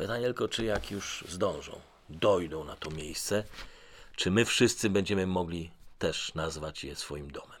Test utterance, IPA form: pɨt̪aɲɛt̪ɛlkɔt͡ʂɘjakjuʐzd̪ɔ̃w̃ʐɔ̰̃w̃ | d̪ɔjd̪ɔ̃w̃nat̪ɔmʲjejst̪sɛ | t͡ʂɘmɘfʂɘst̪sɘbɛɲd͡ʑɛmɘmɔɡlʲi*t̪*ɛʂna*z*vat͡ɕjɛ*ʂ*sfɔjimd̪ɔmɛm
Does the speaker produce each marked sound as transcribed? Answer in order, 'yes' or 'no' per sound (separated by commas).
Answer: yes, yes, no